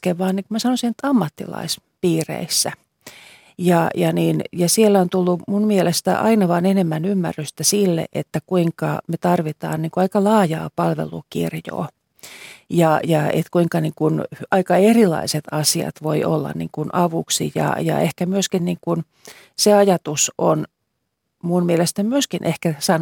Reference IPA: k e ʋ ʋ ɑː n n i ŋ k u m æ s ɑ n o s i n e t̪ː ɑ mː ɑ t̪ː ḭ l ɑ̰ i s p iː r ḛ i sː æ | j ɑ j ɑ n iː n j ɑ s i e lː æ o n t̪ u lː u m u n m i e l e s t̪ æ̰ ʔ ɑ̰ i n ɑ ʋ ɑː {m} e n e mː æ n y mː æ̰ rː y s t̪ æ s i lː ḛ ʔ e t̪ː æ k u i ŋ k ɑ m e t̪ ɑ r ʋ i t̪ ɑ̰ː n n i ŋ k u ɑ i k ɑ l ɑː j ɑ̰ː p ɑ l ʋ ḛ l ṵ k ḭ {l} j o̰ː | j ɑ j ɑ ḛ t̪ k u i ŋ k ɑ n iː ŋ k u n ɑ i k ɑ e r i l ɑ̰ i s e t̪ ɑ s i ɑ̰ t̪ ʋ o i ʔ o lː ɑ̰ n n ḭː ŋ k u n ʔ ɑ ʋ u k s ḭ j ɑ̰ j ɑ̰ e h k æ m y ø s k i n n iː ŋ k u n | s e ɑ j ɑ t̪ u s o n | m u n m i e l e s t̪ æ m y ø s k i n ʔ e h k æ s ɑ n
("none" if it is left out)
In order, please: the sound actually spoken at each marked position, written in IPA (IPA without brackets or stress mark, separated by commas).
n, r